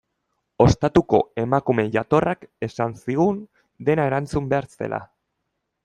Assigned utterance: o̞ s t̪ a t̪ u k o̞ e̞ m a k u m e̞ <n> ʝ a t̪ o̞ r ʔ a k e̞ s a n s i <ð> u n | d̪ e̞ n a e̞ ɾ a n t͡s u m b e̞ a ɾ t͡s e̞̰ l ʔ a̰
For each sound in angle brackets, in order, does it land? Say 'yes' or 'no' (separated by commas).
no, no